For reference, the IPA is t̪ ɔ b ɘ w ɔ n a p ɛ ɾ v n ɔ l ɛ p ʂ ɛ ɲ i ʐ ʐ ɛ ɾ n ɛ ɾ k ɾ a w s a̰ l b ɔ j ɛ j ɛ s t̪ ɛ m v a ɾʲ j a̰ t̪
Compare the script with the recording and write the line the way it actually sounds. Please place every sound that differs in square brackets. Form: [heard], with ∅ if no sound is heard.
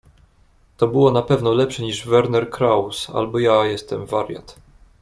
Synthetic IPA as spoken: t̪ ɔ b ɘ w ɔ n a p ɛ [∅] v n ɔ l ɛ p ʂ ɛ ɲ i ʐ [v] ɛ ɾ n ɛ ɾ k ɾ a w s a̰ l b ɔ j [a] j ɛ s t̪ ɛ m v a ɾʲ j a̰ t̪

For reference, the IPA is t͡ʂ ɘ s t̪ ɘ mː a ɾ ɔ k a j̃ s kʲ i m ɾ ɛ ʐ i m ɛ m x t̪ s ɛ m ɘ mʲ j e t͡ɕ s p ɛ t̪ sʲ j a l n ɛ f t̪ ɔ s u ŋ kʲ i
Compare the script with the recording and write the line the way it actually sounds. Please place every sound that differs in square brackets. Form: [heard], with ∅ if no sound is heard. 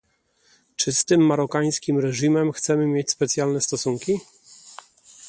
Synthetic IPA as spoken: t͡ʂ ɘ s t̪ ɘ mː a ɾ ɔ k a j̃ s kʲ i m ɾ ɛ ʐ i m ɛ m x t̪ s ɛ m ɘ mʲ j e t͡ɕ s p ɛ t̪ sʲ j a l n ɛ [s] t̪ ɔ s u ŋ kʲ i

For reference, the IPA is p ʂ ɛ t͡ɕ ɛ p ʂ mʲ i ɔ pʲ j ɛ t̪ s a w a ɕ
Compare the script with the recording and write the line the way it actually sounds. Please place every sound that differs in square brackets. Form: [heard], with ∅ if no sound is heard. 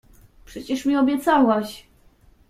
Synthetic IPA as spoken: p ʂ ɛ t͡ɕ ɛ [∅] ʂ mʲ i ɔ [bʲ] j ɛ t̪ s a w a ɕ

